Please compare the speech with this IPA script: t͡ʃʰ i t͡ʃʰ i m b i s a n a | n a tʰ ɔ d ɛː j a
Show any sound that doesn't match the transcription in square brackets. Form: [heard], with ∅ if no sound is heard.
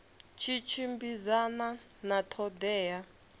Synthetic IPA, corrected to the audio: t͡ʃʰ i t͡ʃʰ i m b i [z] a n a | n a tʰ ɔ d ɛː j a